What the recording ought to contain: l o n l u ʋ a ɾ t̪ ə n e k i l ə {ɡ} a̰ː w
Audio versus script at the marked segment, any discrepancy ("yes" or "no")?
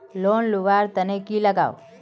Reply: no